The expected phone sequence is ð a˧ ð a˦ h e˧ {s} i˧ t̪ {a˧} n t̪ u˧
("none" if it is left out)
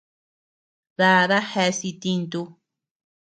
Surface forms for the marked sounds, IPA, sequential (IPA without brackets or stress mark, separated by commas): s, i˧